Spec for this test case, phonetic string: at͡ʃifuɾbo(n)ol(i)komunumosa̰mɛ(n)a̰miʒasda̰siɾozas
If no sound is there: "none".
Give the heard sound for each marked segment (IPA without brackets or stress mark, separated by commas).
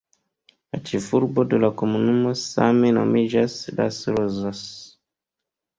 d, a, n